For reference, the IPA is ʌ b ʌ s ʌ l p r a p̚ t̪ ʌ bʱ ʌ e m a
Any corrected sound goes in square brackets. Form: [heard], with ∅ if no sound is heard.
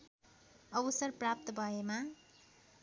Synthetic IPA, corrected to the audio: ʌ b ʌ s ʌ [r] p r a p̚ t̪ ʌ bʱ ʌ e m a